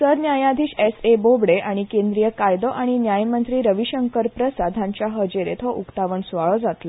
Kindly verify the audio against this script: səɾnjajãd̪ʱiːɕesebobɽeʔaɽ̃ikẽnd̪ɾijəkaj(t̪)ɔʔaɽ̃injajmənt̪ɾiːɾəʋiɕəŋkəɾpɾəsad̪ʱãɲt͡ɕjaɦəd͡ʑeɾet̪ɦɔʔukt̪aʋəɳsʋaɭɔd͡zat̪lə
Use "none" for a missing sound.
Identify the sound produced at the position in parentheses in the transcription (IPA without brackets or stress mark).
d̪